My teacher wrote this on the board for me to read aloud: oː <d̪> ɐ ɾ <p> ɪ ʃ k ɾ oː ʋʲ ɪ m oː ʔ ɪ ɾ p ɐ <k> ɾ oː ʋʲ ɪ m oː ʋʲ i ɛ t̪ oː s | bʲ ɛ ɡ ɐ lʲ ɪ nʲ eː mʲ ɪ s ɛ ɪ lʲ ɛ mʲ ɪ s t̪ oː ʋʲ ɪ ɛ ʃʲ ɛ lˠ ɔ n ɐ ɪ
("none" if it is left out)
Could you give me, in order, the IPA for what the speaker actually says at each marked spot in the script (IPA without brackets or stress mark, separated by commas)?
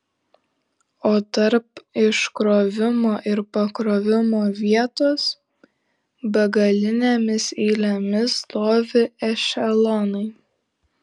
t̪, p, k